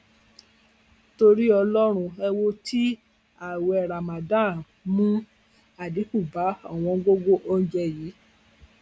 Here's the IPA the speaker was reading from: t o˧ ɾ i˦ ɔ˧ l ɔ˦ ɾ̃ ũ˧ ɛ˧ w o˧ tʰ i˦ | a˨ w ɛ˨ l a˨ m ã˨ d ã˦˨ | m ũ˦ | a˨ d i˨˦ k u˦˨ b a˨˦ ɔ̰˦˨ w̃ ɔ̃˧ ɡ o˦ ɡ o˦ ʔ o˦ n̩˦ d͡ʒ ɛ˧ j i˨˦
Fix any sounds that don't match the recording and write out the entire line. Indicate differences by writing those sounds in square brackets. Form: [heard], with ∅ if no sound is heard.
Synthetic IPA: t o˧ ɾ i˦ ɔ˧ l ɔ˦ ɾ̃ ũ˧ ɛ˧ w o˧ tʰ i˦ | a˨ w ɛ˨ [ɾ] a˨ m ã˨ d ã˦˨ | m ũ˦ | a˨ d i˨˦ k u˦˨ b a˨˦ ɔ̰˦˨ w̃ ɔ̃˧ ɡ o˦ ɡ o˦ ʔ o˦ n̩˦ d͡ʒ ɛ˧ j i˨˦